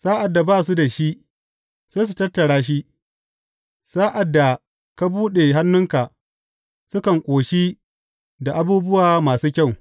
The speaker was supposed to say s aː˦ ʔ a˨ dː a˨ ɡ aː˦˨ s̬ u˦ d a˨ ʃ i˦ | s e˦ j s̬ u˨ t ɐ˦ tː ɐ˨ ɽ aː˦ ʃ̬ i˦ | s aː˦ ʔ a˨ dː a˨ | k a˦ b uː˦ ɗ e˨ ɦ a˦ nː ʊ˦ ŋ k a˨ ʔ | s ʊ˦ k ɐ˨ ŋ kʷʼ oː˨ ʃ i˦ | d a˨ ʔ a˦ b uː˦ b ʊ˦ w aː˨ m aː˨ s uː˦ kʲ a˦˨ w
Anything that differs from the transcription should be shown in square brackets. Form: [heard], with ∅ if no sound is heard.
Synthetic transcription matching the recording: s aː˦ ʔ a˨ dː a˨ [b] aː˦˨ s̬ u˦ d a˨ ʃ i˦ | s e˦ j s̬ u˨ t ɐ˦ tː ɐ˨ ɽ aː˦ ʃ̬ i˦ | s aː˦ ʔ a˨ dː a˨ | k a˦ b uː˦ ɗ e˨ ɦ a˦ nː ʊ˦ ŋ k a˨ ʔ | s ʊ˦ k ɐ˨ ŋ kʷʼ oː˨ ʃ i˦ | d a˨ ʔ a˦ b uː˦ b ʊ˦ w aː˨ m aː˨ s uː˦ kʲ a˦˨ w